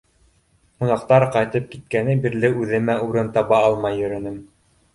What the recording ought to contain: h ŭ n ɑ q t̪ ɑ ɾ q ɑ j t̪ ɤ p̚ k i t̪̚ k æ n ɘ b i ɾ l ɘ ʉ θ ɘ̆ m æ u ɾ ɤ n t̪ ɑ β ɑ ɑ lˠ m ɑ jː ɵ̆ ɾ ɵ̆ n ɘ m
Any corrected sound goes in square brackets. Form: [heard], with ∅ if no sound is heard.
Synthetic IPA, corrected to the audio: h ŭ n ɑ q t̪ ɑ ɾ q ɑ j t̪ ɤ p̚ k i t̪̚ k æ n ɘ b i ɾ l ɘ ʉ [ð] ɘ̆ m æ u ɾ ɤ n t̪ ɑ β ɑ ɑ lˠ m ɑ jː ɵ̆ ɾ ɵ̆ n ɘ m